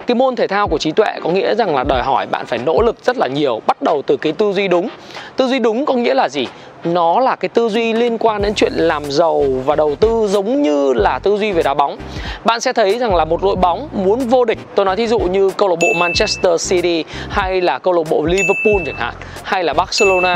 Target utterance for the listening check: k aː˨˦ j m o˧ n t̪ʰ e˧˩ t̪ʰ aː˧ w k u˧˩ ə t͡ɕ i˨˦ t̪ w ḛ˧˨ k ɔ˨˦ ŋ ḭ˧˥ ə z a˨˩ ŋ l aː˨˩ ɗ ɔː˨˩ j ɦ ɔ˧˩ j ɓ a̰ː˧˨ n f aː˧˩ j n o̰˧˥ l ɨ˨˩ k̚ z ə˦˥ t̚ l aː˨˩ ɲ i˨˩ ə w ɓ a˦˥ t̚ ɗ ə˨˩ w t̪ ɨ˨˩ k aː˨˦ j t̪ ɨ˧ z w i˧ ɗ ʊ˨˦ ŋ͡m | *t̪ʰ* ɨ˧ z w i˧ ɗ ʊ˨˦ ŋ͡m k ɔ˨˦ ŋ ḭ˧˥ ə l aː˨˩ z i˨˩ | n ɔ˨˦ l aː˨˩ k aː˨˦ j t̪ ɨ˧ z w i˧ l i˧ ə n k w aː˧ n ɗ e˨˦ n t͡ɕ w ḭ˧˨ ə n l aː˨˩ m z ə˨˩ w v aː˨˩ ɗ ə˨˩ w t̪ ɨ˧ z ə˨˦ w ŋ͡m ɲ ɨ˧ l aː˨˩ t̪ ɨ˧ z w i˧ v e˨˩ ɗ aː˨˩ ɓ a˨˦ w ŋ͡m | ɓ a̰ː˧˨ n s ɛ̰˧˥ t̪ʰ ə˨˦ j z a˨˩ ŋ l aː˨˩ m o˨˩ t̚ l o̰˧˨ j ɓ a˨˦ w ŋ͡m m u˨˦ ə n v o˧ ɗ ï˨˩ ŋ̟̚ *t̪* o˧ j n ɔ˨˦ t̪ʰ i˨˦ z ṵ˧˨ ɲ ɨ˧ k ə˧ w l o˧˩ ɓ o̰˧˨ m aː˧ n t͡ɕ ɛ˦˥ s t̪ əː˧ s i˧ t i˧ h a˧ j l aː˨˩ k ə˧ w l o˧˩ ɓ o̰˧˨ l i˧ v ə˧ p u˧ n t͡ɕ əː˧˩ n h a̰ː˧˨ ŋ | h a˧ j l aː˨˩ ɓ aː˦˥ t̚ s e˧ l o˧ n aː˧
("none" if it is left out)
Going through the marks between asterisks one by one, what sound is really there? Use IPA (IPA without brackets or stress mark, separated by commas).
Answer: t̪, t̪